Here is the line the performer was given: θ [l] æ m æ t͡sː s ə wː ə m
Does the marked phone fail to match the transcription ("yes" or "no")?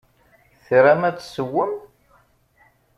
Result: yes